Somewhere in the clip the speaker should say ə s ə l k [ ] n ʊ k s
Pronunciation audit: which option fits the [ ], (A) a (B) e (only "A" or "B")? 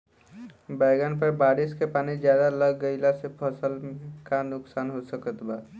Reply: A